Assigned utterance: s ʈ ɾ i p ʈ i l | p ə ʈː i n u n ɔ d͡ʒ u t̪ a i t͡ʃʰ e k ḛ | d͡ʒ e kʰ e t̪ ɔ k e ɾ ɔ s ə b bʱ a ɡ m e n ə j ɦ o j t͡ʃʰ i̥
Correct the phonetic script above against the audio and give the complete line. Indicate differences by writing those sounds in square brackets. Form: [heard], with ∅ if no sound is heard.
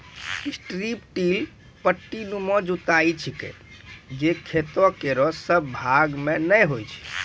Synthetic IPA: s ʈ ɾ i p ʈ i l | p ə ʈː i n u [m] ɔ d͡ʒ u t̪ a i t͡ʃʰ [i] k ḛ | d͡ʒ e kʰ e t̪ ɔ k e ɾ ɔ s ə b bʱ a ɡ m e n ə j ɦ o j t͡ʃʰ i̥